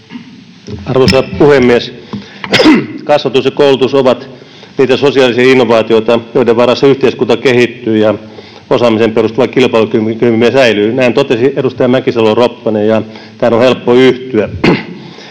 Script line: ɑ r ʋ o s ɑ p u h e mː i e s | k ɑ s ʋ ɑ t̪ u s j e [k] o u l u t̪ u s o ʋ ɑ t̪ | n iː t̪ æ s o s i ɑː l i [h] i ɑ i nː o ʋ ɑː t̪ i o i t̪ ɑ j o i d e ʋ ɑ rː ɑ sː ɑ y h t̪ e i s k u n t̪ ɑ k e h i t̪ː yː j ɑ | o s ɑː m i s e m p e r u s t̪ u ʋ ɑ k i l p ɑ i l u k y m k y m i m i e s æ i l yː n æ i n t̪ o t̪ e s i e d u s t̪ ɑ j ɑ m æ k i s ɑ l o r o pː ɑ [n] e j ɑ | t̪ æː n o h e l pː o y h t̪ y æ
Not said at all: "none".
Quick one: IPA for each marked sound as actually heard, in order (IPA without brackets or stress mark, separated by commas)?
k, s, n